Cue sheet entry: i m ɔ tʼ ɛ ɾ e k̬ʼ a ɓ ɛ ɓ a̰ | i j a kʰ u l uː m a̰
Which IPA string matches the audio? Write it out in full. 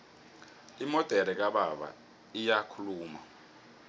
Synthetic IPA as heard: i m ɔ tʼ ɛ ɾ ɛ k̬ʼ a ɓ a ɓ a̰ | i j a kʰ u l uː m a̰